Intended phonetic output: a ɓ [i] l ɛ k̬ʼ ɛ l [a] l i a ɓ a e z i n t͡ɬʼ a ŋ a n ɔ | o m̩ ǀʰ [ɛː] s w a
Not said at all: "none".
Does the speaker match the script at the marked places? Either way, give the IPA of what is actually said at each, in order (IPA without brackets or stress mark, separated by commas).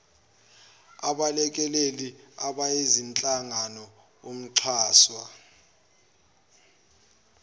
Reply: a, e, aː